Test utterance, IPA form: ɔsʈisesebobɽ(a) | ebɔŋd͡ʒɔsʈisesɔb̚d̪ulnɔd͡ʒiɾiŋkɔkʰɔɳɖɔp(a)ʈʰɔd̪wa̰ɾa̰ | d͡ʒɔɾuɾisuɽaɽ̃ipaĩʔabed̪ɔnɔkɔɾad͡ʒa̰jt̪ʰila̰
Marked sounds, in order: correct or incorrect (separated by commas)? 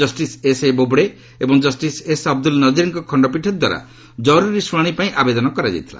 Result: incorrect, incorrect